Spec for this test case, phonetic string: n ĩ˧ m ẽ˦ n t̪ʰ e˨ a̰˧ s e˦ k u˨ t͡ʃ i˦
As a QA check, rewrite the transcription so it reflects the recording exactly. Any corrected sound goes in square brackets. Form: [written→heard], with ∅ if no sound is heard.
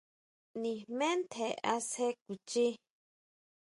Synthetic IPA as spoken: n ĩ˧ m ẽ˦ n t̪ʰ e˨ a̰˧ s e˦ k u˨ t͡ʃ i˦